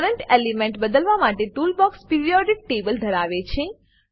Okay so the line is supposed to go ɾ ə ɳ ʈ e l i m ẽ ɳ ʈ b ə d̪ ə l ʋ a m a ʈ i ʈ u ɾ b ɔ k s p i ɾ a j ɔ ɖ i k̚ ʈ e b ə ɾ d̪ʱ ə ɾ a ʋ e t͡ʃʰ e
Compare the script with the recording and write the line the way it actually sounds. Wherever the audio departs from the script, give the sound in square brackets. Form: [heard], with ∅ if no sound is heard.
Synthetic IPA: ɾ ə ɳ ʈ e l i m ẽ ɳ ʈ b ə d̪ ə l ʋ a m a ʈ [e] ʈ u [l] b ɔ k s p i ɾ [i] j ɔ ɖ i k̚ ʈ e b ə [l] d̪ʱ ə ɾ a ʋ e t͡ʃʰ e